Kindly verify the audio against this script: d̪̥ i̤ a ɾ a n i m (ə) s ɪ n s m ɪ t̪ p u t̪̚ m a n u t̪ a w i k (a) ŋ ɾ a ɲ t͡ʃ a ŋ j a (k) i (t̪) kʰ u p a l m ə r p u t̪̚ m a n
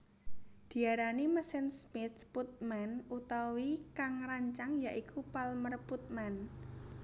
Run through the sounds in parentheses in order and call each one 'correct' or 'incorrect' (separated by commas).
correct, correct, incorrect, incorrect